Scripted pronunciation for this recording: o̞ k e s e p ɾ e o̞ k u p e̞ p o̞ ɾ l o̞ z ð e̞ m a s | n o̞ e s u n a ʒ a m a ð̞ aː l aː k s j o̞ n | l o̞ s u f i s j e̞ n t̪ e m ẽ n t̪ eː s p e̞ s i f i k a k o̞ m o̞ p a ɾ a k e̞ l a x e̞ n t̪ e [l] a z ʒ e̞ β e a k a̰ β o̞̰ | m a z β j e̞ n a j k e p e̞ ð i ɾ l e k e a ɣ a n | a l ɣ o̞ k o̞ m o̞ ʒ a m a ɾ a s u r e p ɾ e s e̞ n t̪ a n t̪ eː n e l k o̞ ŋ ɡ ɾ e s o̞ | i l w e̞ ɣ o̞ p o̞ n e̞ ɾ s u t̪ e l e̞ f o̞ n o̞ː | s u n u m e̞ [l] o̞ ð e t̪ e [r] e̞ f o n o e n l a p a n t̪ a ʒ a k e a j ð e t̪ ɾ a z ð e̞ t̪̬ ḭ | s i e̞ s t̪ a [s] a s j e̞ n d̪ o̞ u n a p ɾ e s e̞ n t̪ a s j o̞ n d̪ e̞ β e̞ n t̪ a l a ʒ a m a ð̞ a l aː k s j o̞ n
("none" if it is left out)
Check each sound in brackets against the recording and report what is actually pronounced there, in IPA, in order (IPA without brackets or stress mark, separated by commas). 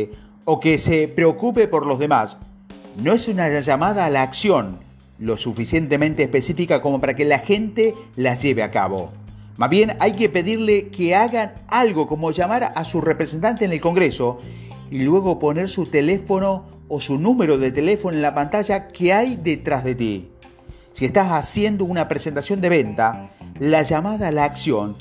l, ɾ, l, s